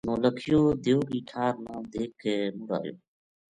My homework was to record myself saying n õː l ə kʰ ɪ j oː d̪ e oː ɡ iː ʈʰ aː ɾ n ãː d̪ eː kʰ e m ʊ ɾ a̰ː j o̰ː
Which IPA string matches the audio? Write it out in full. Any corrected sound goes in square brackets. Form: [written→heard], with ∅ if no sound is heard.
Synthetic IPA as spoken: n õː l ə kʰ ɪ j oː d̪ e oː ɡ iː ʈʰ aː ɾ n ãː d̪ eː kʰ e m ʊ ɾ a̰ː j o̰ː